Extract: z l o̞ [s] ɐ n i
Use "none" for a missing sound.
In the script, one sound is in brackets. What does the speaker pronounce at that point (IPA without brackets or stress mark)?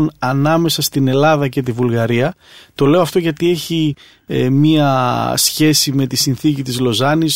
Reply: z